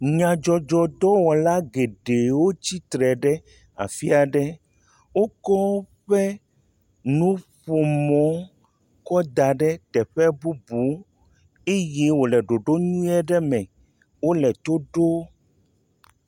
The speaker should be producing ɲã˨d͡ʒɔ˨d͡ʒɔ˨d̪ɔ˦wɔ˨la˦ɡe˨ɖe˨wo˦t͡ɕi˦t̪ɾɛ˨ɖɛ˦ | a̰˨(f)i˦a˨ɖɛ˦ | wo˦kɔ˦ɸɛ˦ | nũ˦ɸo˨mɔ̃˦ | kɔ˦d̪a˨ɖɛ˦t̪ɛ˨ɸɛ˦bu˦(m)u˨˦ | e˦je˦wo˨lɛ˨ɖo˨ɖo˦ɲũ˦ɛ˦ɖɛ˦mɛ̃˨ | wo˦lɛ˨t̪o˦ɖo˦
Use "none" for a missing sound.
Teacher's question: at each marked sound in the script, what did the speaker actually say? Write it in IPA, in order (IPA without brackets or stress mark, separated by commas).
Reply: f, b